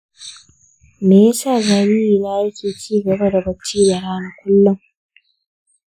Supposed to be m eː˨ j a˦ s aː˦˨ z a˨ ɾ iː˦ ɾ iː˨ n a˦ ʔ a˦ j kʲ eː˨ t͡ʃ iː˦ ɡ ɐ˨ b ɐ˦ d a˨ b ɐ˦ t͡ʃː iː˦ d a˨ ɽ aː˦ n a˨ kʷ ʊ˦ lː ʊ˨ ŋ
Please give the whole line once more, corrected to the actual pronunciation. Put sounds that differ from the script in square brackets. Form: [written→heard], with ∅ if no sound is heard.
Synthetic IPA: m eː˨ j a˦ s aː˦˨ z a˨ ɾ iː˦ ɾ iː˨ n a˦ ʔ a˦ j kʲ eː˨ t͡ʃ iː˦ ɡ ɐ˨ b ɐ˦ d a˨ b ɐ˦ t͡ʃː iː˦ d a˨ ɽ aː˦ n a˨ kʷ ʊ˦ lː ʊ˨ ŋ